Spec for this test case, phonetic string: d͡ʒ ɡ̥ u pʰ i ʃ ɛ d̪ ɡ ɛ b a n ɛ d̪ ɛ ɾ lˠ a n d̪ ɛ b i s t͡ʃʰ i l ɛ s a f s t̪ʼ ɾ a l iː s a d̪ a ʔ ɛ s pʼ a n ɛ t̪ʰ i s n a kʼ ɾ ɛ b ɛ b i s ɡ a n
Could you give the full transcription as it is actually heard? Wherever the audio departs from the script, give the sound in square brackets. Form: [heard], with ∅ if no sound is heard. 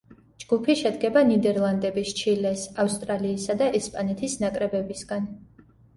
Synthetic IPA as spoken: d͡ʒ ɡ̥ u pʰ i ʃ ɛ d̪ ɡ ɛ b a n [i] d̪ ɛ ɾ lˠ a n d̪ ɛ b i s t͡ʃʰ i l ɛ s a f s t̪ʼ ɾ a l iː s a d̪ a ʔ ɛ s pʼ a n ɛ t̪ʰ i s n a kʼ ɾ ɛ b ɛ b i s ɡ a n